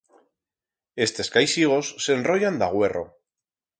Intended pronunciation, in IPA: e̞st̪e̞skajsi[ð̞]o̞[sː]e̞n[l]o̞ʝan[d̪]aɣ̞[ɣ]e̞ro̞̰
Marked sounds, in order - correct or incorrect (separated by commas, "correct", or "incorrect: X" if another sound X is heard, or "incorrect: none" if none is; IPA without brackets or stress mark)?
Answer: incorrect: ɣ̞, correct, incorrect: r, correct, incorrect: w